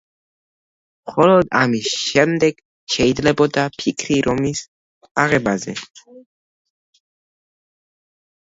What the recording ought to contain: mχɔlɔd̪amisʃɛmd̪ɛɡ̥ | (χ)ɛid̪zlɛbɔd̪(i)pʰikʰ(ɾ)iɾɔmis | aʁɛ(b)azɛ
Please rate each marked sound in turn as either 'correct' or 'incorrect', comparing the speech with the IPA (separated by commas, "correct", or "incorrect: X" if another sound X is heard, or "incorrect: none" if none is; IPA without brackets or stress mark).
incorrect: ʃ, incorrect: a, correct, correct